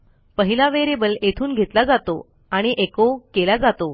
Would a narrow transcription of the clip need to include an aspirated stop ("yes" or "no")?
yes